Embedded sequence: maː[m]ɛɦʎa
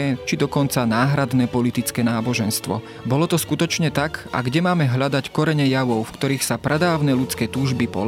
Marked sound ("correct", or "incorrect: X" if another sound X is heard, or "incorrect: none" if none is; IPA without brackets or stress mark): correct